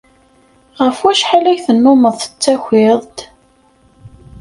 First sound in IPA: ʁ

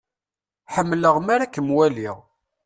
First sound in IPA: ħ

